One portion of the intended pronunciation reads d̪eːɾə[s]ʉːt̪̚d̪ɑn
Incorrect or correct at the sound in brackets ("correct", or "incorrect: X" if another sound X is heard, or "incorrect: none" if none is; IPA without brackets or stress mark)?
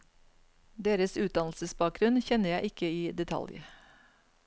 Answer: correct